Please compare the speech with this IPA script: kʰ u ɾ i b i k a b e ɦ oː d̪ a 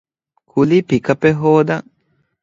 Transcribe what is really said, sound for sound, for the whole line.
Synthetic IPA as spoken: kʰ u l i p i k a p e ɦ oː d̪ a